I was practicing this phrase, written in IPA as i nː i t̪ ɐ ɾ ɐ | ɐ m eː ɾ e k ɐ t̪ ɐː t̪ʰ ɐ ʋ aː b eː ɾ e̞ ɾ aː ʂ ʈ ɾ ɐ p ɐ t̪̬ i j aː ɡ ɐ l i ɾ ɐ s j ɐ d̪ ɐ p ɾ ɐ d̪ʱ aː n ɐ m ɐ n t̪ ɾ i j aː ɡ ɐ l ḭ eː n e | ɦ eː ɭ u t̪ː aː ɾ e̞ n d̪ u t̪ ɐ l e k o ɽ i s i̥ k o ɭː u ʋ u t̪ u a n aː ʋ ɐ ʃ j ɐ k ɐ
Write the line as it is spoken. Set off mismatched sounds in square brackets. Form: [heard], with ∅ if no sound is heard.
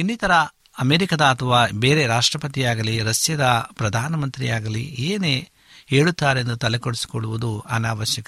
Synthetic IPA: i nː i t̪ ɐ ɾ ɐ | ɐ m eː ɾ [i] k ɐ [d̪] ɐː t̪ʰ ɐ ʋ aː b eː ɾ e̞ ɾ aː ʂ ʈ ɾ ɐ p ɐ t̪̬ i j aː ɡ ɐ l i ɾ ɐ s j ɐ d̪ ɐ p ɾ ɐ d̪ʱ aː n ɐ m ɐ n t̪ ɾ i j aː ɡ ɐ l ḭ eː n e | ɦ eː ɭ u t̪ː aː ɾ e̞ n d̪ u t̪ ɐ l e k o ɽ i s i̥ k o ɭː u ʋ u [d̪] u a n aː ʋ ɐ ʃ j ɐ k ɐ